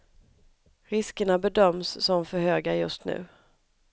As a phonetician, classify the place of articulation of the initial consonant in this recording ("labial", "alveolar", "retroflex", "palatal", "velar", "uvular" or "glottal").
alveolar